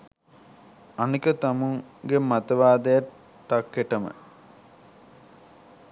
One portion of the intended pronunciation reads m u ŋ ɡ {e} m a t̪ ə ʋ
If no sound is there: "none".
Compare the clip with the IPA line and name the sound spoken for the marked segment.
e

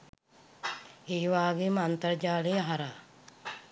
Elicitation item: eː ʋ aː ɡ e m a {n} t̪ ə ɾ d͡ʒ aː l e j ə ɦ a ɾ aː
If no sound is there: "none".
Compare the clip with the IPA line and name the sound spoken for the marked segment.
n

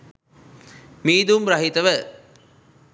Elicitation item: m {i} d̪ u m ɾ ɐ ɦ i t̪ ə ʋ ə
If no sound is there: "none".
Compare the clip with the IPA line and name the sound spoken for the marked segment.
iː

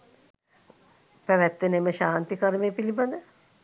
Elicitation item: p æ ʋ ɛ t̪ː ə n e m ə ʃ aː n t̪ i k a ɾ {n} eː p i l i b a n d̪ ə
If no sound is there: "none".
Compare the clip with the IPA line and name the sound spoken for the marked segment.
m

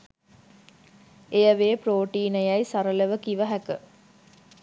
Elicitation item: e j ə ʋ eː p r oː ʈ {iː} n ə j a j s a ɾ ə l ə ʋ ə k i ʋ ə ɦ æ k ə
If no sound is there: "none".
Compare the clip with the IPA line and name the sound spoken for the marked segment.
iː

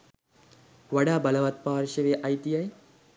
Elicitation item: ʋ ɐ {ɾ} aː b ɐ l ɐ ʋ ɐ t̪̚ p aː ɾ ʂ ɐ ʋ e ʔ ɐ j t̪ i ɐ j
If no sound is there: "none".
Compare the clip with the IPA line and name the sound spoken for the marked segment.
ɽ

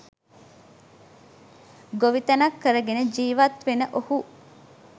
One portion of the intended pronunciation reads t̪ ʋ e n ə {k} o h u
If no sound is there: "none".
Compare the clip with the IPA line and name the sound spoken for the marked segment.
ʔ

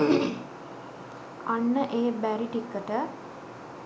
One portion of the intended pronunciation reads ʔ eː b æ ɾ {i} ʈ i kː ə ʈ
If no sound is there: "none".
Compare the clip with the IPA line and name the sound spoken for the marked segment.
i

